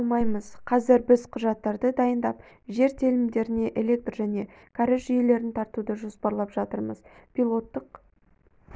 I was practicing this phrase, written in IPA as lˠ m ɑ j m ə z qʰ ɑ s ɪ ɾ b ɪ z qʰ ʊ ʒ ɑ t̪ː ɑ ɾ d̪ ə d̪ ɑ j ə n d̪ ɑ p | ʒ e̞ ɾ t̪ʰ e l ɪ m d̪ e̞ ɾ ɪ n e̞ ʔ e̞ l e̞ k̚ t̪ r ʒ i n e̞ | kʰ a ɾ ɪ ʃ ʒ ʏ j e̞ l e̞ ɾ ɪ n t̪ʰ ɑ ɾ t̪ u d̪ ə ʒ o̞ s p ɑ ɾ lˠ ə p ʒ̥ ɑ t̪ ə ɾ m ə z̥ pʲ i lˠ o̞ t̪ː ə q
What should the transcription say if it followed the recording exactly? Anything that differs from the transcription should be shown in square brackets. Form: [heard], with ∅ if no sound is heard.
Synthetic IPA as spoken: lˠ m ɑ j m ə z qʰ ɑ [z] ɪ ɾ b ɪ z qʰ ʊ ʒ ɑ t̪ː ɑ ɾ d̪ ə d̪ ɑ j ə n d̪ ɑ p | ʒ e̞ ɾ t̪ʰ e l ɪ m d̪ e̞ ɾ ɪ n e̞ ʔ e̞ l e̞ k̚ t̪ r ʒ [æ] n e̞ | kʰ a ɾ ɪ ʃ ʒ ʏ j e̞ l e̞ ɾ ɪ n t̪ʰ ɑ ɾ t̪ u d̪ ə ʒ o̞ s p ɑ ɾ lˠ [ɑ] p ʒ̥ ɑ t̪ ə ɾ m ə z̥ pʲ i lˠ o̞ t̪ː ə q